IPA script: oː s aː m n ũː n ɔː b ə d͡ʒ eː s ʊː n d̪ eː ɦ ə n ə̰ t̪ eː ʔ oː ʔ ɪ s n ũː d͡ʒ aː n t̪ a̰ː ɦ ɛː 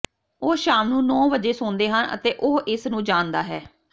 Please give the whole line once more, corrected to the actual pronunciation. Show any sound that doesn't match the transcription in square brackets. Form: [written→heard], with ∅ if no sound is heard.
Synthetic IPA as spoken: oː [s→ʃ] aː m n ũː n ɔː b ə d͡ʒ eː s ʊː n d̪ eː ɦ ə n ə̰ t̪ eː ʔ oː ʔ ɪ s n ũː d͡ʒ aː n [t̪→d̪] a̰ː ɦ ɛː